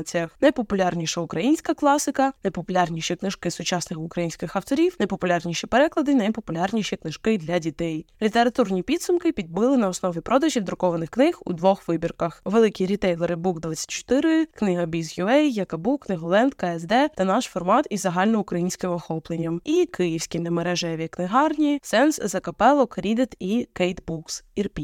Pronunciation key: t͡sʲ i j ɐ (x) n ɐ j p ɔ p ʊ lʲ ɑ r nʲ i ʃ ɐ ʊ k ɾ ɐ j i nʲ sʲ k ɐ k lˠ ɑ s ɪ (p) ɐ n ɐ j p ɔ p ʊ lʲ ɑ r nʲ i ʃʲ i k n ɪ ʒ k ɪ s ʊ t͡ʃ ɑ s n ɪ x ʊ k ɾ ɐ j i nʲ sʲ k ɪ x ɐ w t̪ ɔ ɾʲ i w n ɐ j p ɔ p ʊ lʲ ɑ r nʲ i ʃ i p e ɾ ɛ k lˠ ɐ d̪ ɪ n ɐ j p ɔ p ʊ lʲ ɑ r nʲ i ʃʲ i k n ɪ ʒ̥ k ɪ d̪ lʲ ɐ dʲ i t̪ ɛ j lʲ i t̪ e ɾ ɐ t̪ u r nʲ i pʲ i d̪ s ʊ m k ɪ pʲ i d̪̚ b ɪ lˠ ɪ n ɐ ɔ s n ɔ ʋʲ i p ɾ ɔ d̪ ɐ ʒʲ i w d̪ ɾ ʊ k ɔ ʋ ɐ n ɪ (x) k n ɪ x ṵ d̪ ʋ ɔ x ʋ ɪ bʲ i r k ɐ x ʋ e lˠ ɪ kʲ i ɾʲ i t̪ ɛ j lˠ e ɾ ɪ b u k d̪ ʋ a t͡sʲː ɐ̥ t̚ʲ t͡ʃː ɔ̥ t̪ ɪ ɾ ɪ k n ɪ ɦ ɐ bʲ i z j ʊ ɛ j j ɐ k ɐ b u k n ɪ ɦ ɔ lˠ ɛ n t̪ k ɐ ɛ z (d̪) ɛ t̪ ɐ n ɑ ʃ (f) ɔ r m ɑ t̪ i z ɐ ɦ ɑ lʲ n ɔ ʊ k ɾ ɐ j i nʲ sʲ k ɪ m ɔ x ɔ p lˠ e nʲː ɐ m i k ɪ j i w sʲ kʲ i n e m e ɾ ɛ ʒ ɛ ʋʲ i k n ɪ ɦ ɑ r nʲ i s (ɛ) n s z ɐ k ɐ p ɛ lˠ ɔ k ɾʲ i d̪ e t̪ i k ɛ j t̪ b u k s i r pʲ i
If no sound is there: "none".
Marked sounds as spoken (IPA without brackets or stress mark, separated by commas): x, k, x, d̪, f, ɛ